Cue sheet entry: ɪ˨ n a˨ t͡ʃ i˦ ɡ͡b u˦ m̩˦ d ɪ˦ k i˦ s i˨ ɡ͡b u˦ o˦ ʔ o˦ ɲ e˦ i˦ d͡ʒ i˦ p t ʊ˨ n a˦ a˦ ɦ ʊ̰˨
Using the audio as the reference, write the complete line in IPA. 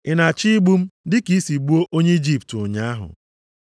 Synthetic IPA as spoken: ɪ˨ n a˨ t͡ʃ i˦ ɡ͡b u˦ m̩˦ d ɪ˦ k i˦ s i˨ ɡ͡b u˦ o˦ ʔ o˦ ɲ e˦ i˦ d͡ʒ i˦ p t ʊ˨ ɲ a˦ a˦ ɦ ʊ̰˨